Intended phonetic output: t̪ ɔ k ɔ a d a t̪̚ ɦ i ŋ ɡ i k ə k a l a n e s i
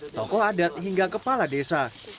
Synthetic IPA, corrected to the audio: t̪ ɔ k ɔ a d a t̪̚ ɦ i ŋ ɡ a k ə p a l a d e s a